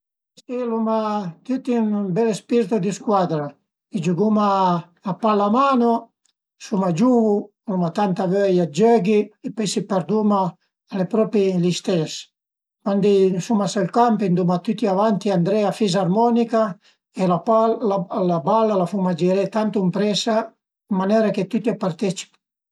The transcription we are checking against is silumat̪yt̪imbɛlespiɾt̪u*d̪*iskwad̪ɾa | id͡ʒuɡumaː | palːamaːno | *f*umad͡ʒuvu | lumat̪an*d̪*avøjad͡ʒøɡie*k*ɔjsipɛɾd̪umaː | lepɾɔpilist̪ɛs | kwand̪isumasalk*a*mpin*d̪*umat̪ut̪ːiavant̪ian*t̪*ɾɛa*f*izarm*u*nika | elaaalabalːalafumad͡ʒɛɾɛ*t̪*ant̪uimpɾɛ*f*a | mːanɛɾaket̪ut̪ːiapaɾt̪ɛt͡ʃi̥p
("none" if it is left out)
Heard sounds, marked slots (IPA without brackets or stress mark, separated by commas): d̪, s, t̪, p, a, d̪, d̪, f, ɔ, t̪, s